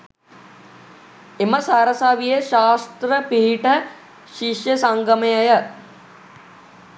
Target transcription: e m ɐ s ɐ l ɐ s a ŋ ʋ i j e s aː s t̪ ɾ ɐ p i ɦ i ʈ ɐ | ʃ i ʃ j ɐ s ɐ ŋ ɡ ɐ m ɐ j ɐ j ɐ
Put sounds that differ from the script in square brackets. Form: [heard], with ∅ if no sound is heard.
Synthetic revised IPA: e m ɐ s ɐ [ɾ] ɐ s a [∅] ʋ i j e [ʃ] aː s t̪ ɾ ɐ p i ɦ i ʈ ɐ | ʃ i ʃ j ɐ s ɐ ŋ ɡ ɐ m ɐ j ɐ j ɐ